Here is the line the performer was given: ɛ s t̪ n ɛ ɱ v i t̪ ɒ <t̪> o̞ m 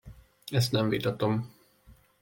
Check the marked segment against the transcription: correct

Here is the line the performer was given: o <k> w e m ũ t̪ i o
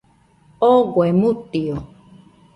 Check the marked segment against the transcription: incorrect: ɡ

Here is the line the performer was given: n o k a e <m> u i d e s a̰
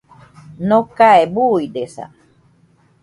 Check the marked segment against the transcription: incorrect: b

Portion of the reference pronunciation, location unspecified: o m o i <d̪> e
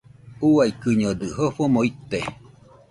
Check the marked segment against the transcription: incorrect: t̪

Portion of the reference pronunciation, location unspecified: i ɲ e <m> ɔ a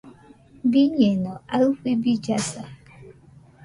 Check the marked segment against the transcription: incorrect: n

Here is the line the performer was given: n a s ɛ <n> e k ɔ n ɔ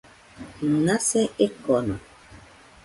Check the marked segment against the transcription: incorrect: none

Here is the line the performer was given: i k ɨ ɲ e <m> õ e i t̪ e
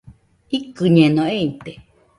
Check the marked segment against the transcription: incorrect: n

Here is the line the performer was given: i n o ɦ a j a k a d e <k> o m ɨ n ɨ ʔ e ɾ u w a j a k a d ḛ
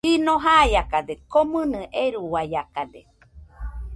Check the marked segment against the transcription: correct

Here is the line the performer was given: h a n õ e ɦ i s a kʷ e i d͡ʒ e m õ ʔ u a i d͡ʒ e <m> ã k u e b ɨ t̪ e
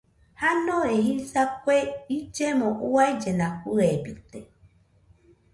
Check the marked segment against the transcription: incorrect: n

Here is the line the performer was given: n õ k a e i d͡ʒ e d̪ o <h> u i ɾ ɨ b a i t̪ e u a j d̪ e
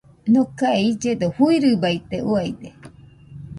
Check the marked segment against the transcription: correct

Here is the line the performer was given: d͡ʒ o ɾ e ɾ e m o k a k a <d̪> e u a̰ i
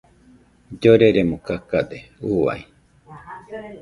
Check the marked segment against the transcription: correct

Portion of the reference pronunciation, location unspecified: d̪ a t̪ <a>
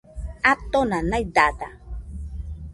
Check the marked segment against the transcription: correct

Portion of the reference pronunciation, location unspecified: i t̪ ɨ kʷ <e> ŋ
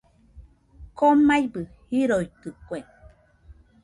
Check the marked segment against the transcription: correct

